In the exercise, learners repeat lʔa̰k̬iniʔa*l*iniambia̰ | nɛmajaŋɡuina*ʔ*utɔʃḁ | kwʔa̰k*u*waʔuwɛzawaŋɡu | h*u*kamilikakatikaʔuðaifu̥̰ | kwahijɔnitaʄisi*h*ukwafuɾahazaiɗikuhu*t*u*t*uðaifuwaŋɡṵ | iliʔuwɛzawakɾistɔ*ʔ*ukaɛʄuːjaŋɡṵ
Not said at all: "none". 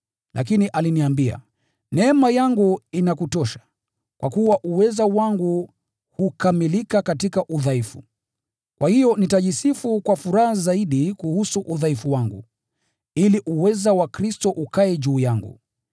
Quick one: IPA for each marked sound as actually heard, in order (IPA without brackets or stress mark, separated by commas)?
l, k, u, u, f, s, ʔ, ʔ